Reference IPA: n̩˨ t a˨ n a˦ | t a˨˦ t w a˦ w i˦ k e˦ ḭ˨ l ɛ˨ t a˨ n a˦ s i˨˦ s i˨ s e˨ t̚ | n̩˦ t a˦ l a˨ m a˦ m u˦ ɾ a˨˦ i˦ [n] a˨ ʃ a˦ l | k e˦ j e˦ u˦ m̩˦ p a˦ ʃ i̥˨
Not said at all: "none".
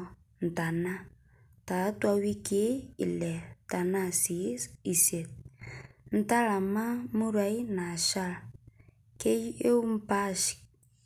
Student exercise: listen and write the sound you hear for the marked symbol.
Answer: n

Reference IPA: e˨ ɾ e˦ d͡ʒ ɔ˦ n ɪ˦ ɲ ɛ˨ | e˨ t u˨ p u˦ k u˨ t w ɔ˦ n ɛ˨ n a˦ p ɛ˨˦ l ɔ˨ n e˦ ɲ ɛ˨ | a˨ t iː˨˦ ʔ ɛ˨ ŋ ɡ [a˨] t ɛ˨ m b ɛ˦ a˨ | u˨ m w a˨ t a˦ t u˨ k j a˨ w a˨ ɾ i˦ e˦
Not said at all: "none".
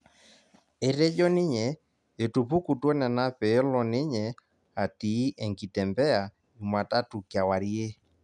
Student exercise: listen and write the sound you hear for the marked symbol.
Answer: i˨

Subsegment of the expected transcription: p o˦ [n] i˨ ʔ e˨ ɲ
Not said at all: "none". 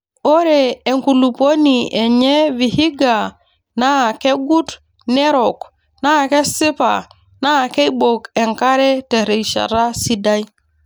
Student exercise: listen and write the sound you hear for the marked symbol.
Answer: n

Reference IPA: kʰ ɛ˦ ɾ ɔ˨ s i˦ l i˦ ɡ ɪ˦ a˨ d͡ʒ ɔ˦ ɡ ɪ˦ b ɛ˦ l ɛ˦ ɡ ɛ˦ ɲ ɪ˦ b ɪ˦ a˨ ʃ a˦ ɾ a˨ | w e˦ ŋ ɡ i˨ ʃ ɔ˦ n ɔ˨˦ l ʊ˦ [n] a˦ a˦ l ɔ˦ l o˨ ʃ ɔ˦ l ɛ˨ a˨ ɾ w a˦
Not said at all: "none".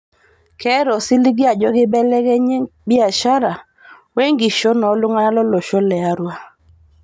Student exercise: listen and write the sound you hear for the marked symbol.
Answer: ŋ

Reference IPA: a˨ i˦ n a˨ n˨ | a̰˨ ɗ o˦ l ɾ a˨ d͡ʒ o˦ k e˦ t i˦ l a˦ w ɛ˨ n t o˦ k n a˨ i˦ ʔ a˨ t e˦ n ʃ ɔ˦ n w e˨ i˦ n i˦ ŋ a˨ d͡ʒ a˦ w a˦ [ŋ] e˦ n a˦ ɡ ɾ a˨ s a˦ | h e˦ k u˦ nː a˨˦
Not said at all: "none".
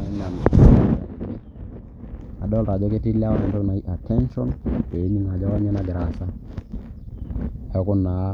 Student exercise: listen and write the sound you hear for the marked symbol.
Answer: ɲ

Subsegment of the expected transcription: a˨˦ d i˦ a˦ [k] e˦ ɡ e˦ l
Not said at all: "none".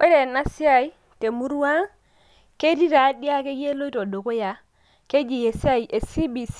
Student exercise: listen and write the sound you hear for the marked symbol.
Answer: k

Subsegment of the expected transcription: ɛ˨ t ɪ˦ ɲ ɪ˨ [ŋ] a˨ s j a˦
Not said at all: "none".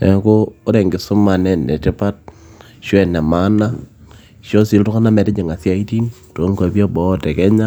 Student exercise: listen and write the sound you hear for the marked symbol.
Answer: ŋ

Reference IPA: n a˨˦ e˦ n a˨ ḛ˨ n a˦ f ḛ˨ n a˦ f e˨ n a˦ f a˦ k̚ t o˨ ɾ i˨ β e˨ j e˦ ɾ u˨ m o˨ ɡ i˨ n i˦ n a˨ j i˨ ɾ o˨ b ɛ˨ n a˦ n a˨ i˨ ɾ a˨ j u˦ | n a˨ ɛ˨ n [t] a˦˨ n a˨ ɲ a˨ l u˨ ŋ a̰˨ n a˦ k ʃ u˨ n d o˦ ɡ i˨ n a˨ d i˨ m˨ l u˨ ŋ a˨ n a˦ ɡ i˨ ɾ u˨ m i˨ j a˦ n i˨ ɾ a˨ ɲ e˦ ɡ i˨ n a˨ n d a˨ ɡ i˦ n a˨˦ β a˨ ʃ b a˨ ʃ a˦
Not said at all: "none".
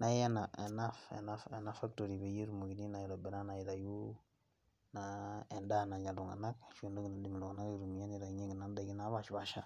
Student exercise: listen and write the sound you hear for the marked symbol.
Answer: d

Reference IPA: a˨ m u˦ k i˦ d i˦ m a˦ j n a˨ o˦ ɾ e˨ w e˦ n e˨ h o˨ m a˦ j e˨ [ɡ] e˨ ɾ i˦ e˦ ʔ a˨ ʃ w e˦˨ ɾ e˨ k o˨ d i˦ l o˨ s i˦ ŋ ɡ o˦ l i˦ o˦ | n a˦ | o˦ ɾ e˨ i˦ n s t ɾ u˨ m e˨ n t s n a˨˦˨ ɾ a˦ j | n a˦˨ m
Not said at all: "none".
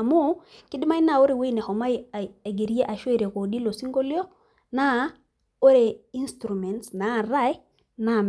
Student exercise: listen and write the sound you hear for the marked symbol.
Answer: ɡ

